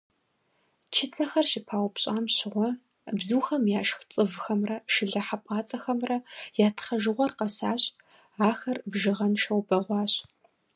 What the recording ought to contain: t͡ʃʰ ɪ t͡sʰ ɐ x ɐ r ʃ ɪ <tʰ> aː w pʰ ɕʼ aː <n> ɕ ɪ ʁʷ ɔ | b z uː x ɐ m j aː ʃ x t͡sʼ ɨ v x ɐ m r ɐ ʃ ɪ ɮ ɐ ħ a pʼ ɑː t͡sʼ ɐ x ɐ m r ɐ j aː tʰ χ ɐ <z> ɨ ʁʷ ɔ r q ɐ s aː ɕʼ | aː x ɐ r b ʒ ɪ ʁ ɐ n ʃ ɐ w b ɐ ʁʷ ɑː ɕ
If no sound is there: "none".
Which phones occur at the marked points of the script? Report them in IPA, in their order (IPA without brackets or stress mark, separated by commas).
pʰ, m, ʒ